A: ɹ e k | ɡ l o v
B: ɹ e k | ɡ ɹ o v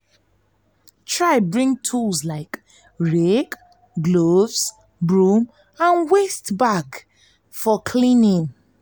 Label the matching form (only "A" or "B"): A